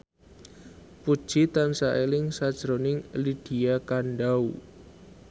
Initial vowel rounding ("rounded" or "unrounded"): rounded